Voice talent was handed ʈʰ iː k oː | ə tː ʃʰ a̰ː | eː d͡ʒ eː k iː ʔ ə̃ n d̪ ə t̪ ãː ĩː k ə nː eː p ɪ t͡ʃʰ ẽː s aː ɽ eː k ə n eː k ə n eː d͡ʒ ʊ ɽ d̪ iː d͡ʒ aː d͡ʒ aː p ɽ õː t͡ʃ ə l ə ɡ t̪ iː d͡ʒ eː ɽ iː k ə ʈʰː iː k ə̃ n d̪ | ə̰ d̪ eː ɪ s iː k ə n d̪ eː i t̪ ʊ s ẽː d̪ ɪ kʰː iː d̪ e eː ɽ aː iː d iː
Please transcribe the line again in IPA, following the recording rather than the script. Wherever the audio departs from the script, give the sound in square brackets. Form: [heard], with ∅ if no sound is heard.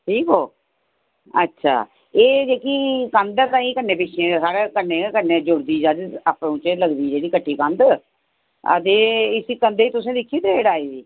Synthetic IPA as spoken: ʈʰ iː k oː | ə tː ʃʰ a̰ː | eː d͡ʒ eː k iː [k] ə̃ n d̪ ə t̪ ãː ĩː k ə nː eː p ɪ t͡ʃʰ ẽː s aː ɽ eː k ə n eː k ə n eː d͡ʒ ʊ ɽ d̪ iː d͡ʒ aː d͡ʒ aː p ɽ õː t͡ʃ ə l ə ɡ [d̪] iː d͡ʒ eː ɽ iː k ə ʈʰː iː k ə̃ n d̪ | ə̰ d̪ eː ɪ s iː k ə n d̪ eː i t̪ ʊ s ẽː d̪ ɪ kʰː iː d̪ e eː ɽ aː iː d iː